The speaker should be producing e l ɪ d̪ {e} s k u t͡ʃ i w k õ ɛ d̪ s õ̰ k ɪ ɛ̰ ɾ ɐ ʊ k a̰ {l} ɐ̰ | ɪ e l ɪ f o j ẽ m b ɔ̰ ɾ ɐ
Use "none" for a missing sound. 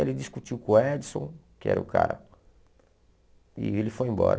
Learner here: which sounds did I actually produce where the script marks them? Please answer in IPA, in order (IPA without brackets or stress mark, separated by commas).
i, ɾ